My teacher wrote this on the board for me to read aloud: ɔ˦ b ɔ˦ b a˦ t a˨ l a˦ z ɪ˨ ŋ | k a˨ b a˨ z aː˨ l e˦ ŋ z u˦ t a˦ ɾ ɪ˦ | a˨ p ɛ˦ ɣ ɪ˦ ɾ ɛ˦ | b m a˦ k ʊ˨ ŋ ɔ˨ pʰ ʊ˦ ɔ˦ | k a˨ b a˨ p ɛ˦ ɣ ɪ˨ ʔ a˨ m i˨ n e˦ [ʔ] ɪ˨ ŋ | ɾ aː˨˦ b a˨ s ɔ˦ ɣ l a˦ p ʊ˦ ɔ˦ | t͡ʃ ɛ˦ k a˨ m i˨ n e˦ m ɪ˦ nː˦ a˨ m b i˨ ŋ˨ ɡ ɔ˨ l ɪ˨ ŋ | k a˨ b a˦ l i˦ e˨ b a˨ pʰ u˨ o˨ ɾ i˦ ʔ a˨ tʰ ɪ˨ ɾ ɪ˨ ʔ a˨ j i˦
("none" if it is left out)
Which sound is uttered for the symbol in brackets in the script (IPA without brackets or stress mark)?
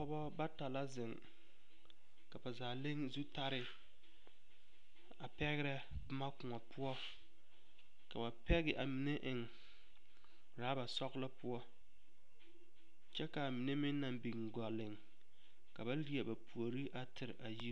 ʔ